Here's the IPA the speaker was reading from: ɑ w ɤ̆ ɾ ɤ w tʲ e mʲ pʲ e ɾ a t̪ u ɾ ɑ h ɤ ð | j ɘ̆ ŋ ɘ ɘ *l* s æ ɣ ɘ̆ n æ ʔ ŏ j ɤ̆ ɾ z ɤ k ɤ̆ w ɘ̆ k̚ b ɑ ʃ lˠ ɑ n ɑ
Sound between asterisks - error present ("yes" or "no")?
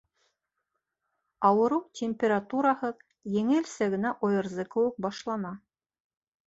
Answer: no